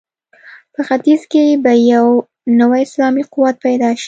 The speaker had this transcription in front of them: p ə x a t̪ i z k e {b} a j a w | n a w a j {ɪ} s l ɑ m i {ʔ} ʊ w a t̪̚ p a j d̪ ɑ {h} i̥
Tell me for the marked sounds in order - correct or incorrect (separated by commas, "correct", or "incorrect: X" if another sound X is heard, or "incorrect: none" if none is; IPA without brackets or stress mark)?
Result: correct, correct, incorrect: q, incorrect: ʃ